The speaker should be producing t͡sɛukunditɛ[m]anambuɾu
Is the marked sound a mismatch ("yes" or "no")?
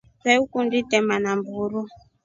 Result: no